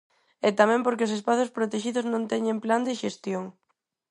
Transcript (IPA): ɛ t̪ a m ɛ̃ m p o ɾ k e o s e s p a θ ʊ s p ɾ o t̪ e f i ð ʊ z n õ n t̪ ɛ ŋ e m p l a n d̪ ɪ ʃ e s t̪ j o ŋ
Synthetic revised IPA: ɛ t̪ a m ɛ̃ m p o ɾ k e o s e s p a θ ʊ s p ɾ o t̪ e ʃ i ð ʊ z n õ n t̪ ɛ ɲ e m p l a n d̪ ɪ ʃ e s t̪ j o ŋ